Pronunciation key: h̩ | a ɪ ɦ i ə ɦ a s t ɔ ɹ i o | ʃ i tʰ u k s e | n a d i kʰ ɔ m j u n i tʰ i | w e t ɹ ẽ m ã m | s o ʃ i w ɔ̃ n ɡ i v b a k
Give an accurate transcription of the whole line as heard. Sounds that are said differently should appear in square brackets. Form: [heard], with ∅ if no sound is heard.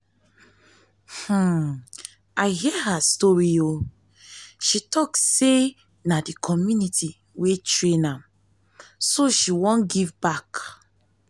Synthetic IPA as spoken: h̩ | a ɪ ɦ i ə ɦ a s t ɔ ɹ i o | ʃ i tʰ [ɔ] k s e | n a d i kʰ ɔ m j u n i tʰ i | w e t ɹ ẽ [n] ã m | s o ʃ i w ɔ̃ n ɡ i v b a k